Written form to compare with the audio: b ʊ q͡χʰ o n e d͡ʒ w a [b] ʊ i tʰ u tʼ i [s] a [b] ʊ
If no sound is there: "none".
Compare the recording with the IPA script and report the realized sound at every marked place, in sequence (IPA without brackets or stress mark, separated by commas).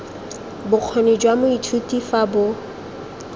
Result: m, f, b